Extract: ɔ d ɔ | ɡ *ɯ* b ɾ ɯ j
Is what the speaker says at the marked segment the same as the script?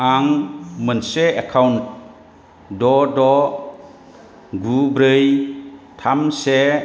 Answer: no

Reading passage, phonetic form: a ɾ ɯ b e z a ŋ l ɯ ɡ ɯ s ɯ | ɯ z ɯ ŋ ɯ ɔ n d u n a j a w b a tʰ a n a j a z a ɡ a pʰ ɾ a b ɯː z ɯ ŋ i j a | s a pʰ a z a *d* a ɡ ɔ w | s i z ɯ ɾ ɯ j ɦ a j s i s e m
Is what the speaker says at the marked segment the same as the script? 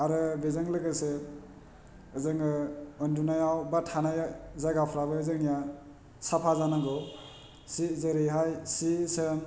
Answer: no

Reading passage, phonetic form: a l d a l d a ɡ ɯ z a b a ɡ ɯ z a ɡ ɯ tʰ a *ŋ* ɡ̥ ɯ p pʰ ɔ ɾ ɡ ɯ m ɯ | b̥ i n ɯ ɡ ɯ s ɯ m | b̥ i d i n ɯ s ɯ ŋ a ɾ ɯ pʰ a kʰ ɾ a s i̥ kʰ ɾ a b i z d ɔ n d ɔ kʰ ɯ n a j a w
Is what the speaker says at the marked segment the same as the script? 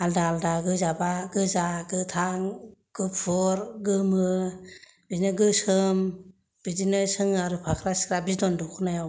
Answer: yes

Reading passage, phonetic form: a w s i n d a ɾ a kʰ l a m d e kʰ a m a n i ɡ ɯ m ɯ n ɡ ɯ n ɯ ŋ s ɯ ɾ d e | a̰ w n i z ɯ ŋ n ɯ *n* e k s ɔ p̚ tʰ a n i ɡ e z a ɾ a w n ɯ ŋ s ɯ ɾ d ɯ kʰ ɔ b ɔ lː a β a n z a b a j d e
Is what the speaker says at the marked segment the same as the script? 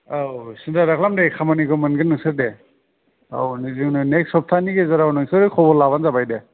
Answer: yes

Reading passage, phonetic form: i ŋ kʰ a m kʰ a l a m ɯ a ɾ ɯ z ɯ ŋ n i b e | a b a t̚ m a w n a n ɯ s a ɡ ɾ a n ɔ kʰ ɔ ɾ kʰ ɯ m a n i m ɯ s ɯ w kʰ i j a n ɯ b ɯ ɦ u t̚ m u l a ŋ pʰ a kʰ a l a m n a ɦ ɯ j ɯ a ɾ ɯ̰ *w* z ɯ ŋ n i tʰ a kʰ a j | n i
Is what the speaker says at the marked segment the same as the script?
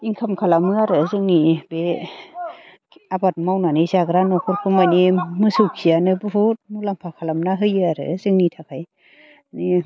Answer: no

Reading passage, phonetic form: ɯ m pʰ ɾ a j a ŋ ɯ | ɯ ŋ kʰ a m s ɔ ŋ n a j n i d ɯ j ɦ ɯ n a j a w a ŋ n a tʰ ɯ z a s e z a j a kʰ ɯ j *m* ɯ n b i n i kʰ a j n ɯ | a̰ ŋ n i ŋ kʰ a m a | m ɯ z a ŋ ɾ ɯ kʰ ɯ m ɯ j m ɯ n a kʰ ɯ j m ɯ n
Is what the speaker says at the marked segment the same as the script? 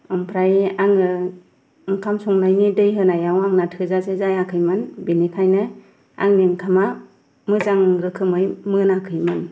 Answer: yes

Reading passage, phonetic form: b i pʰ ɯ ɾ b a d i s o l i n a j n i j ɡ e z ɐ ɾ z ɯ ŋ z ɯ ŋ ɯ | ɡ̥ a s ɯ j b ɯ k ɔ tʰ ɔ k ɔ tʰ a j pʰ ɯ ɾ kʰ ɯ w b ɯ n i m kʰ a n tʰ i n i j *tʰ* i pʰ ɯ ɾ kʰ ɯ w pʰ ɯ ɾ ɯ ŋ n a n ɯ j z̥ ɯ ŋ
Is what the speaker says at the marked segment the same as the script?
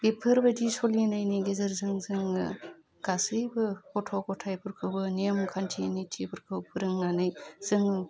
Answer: yes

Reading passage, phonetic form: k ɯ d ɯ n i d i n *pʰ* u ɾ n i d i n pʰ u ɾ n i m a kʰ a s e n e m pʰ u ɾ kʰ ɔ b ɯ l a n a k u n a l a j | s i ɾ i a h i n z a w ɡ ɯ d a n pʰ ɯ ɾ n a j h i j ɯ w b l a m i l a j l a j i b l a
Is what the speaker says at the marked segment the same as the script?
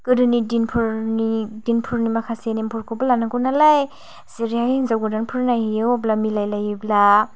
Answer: yes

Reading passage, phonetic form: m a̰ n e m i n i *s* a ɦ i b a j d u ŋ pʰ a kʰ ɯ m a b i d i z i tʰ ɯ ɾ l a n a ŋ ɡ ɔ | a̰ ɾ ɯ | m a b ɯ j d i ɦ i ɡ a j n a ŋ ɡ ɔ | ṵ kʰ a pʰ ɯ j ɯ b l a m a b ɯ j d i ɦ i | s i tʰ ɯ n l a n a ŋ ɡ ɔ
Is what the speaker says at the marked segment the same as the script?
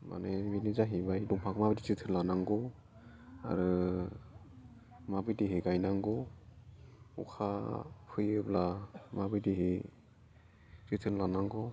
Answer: no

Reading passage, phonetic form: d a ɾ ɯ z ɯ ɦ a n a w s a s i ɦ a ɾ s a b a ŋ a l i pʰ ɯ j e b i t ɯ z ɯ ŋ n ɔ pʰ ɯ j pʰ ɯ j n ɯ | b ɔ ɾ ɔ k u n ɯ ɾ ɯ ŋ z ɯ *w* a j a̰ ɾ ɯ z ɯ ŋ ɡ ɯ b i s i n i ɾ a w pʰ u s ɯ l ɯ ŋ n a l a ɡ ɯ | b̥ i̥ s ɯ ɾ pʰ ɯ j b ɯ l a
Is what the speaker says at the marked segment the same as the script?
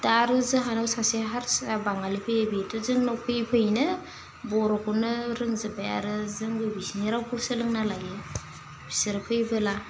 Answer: no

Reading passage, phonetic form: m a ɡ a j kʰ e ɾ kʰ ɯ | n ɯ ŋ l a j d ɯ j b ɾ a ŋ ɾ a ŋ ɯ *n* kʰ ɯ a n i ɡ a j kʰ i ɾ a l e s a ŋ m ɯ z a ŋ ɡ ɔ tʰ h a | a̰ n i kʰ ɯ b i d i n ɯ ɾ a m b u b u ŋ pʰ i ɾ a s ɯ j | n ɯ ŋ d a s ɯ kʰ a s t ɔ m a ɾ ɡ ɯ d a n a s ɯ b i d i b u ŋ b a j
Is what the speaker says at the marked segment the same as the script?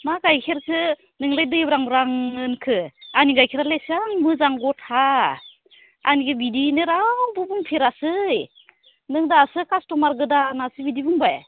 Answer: yes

